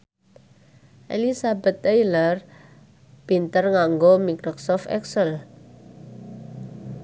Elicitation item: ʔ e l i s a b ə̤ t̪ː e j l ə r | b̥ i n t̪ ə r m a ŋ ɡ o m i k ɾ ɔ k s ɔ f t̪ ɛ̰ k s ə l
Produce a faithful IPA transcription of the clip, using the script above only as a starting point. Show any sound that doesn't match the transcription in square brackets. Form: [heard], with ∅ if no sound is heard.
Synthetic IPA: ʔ e l i s a b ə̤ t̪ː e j l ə r | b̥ i n t̪ ə r [ŋ] a ŋ ɡ o m i k ɾ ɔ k s ɔ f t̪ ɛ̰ k s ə l

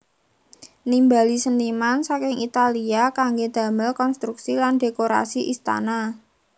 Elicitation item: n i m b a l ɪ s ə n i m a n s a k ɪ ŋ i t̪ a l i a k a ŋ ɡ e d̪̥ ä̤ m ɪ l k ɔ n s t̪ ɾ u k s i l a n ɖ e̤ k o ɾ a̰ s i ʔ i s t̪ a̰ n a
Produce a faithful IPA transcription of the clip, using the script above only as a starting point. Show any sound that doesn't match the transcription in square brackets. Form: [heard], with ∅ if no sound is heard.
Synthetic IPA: n i m b a l [i] s ə n i m a n s a k ɪ ŋ i t̪ a l i a k a ŋ ɡ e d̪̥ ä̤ m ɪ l k ɔ n s t̪ ɾ u k s i l a n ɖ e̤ k o ɾ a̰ s i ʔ i s t̪ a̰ n a

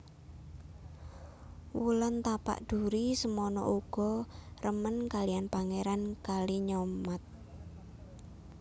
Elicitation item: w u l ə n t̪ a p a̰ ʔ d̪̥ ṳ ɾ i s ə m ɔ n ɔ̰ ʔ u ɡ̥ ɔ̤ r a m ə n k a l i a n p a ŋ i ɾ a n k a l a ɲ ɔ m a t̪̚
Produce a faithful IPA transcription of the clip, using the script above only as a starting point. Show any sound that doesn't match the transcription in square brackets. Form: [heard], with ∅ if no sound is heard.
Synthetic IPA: w u l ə n t̪ a p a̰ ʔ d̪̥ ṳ ɾ i s ə m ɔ n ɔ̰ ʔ u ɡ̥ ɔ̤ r [ə] m ə n k a l i a n p a ŋ [e] ɾ a n k a l [i] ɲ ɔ m a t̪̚

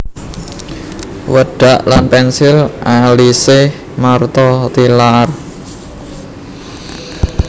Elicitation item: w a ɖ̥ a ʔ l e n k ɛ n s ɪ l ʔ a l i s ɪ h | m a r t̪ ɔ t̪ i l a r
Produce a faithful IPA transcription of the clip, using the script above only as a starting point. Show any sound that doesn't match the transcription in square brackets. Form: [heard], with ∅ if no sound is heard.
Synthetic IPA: w [ə] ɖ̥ a ʔ l [a] n [p] ɛ n s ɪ l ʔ a l i s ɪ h | m a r t̪ ɔ t̪ i l a r

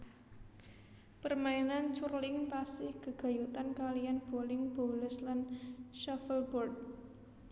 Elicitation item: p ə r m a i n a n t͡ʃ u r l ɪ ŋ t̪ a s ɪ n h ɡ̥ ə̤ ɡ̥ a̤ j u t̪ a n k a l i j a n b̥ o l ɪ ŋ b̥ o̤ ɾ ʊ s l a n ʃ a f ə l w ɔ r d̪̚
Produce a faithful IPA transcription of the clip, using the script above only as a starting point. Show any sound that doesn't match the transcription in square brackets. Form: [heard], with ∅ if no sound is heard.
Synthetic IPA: p ə r m a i n a n t͡ʃ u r l ɪ ŋ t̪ a s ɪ [∅] h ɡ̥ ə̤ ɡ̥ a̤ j u t̪ a n k a l i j a n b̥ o l ɪ ŋ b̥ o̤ [l] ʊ s l a n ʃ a f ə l [b] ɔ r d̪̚

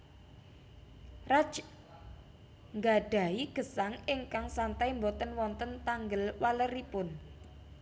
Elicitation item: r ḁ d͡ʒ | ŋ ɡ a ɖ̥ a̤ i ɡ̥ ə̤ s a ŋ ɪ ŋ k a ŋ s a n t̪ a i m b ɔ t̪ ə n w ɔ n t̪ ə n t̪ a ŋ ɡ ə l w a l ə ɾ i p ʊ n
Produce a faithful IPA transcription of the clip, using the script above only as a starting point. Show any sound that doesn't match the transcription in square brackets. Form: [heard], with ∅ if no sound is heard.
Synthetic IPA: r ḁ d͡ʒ | ŋ ɡ a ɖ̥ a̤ i ɡ̥ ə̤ s a ŋ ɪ ŋ k a ŋ s a n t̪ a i m b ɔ t̪ ə n w ɔ n t̪ ə n t̪ a ŋ ɡ ə l w a l ə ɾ i p ʊ n

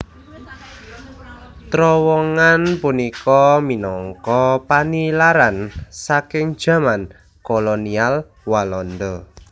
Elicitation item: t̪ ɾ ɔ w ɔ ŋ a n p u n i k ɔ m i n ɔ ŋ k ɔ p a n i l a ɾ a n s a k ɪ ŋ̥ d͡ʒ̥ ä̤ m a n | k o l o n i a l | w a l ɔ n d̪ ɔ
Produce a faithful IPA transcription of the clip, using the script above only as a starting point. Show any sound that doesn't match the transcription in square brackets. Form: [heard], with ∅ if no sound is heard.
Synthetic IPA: t̪ ɾ ɔ w ɔ ŋ a n p u n i k ɔ m i n ɔ ŋ k ɔ p a n i l a ɾ a n s a k ɪ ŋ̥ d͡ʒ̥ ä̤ m a n | k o l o n i a l | w a l ɔ n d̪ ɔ

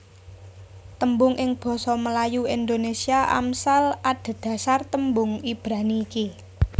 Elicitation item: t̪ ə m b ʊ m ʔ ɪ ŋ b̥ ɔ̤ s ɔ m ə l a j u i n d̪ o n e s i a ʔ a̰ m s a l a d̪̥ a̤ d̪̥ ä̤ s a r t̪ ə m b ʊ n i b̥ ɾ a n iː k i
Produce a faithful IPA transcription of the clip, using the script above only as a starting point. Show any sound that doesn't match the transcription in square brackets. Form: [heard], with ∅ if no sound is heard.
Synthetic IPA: t̪ ə m b ʊ [ŋ] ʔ ɪ ŋ b̥ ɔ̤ s ɔ m ə l a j u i n d̪ o n e s i a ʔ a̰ m s a l a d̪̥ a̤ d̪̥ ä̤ s a r t̪ ə m b ʊ [ŋ] i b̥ ɾ a n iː k i

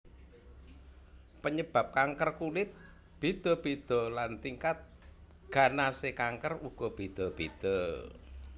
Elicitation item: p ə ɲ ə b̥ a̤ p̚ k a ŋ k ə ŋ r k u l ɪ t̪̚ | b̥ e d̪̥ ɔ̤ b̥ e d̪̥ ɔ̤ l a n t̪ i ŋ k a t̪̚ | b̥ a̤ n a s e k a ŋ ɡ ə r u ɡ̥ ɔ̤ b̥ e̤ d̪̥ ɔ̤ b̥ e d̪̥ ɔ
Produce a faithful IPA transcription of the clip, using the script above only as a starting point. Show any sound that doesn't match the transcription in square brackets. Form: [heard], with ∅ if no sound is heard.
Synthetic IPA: p ə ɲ ə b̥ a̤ p̚ k a ŋ k ə [∅] r k u l ɪ t̪̚ | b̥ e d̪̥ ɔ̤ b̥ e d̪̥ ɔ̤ l a n t̪ i ŋ k a t̪̚ | [ɡ̥] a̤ n a s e k a ŋ [k] ə r u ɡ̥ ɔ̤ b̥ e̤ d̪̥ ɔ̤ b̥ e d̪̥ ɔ

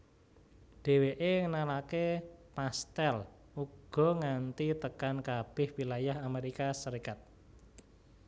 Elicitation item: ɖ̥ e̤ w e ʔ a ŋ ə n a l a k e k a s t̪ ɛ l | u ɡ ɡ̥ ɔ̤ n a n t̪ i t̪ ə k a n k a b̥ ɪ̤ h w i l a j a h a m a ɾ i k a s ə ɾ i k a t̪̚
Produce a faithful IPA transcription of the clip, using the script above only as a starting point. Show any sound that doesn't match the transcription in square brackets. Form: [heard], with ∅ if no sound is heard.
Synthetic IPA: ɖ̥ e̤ w e ʔ [e] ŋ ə n a l a k e [p] a s t̪ ɛ l | u ɡ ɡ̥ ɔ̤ [ŋ] a n t̪ i t̪ ə k a n k a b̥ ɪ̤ h w i l a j a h a m [e] ɾ i k a s ə ɾ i k a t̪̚

